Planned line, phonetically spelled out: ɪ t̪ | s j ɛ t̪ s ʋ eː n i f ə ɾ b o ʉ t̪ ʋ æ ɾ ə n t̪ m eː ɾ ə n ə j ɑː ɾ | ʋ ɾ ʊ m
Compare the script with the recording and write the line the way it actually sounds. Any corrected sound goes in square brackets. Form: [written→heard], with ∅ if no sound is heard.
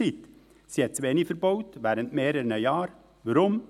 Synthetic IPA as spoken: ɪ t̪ | s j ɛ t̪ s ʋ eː n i f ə ɾ b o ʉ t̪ ʋ æ ɾ ə n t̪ m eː ɾ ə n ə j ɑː ɾ | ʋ ɾ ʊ m